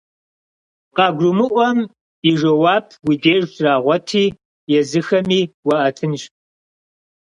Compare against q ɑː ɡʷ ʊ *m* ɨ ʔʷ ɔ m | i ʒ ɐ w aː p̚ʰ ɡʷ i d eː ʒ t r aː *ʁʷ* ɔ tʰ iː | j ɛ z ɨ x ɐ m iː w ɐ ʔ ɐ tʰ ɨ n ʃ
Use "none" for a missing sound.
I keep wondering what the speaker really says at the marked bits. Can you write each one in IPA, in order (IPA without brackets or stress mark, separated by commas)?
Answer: m, ʁʷ